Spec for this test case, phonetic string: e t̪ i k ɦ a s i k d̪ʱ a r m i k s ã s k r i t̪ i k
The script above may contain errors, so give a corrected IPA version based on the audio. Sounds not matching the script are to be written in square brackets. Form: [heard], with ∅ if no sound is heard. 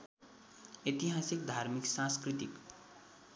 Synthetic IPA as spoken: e t̪ i [∅] ɦ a s i k d̪ʱ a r m i k s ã s k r i t̪ i k